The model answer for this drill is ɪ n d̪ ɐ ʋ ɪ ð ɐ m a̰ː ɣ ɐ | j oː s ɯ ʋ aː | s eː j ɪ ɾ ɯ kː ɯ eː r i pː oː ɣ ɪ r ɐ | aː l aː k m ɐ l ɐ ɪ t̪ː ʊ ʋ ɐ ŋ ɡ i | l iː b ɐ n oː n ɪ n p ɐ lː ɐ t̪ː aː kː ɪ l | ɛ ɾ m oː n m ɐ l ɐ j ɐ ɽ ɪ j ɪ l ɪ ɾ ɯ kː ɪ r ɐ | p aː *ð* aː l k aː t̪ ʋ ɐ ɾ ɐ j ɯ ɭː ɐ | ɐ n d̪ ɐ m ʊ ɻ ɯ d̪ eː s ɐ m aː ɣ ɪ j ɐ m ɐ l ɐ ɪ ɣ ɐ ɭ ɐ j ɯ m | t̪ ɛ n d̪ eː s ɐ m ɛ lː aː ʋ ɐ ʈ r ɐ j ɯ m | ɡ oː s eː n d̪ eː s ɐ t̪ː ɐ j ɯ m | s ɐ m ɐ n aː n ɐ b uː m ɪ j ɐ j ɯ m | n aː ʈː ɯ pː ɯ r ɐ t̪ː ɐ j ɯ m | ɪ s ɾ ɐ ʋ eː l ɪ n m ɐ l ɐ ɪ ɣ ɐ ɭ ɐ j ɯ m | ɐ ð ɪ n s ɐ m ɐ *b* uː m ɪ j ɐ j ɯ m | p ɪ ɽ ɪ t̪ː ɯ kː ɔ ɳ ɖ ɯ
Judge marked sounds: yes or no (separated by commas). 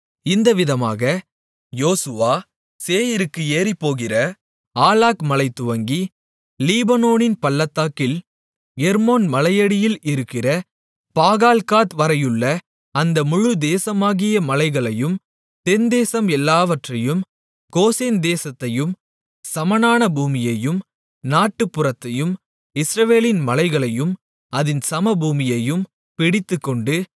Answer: no, yes